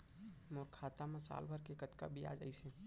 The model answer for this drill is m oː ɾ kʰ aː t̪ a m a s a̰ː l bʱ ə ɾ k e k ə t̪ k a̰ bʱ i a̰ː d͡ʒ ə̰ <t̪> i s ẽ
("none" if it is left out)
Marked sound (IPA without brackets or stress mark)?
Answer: none